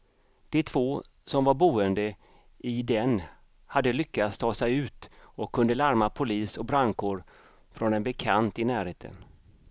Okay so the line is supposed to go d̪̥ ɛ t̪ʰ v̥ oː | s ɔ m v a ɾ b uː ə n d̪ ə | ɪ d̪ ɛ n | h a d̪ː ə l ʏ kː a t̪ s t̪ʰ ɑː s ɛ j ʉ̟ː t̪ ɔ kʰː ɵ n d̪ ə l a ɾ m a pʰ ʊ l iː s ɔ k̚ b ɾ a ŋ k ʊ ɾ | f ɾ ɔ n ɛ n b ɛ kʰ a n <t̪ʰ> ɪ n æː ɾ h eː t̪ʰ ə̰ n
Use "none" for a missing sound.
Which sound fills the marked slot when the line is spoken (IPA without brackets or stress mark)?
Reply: t̪